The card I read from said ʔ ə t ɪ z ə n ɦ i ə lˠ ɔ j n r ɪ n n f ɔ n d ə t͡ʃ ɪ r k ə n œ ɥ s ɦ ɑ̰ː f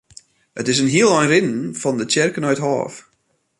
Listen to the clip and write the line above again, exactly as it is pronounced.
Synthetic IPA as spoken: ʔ ə t ɪ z ə n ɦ i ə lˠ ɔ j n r ɪ n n f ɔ n d ə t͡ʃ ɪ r k ə n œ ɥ t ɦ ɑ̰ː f